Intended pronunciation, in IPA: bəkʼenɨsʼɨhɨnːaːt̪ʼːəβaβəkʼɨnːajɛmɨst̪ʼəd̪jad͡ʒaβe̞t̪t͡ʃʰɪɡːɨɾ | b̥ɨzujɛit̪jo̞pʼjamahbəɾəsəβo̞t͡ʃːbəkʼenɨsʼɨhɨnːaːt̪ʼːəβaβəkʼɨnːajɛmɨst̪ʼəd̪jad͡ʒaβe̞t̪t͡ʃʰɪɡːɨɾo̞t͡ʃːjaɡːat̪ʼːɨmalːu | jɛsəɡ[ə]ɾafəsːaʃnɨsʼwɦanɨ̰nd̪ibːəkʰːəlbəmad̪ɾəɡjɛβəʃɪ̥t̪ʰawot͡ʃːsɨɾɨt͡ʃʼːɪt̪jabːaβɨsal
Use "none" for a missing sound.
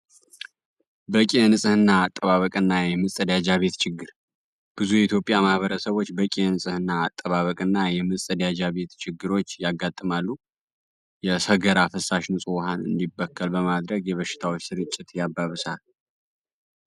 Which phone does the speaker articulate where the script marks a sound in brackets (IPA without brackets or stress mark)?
ə